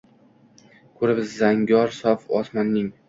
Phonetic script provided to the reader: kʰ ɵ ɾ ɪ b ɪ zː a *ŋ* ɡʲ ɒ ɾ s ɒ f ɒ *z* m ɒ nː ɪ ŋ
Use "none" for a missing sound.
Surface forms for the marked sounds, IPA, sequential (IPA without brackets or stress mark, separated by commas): ŋ, s